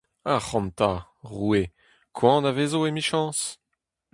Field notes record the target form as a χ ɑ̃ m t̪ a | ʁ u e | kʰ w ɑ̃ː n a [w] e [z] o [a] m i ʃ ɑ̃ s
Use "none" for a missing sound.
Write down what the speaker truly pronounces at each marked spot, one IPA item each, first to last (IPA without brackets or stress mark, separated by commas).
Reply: v, z, e